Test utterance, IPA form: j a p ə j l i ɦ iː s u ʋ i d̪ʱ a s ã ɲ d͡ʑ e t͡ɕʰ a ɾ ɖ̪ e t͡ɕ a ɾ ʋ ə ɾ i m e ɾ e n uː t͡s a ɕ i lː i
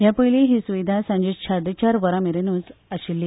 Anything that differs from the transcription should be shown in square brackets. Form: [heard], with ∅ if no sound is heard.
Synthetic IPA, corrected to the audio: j a p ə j l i ɦ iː s u ʋ i d̪ʱ a s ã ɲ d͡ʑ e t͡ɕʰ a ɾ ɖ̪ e t͡ɕ a ɾ ʋ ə ɾ [a] m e ɾ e n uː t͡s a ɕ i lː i